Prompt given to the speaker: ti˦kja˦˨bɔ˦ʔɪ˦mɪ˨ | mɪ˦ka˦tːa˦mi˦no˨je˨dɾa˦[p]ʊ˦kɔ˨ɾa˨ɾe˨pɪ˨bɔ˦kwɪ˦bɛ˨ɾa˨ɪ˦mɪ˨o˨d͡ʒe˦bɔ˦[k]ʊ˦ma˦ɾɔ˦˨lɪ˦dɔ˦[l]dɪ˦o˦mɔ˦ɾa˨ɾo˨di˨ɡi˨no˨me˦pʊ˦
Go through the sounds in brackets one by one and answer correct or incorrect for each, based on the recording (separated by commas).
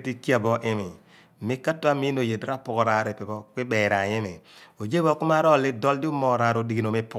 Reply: correct, correct, correct